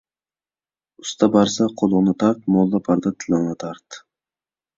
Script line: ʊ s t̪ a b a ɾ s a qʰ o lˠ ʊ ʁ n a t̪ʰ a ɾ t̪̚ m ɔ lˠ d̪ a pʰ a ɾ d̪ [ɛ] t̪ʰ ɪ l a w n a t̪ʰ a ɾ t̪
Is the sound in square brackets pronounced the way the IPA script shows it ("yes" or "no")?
no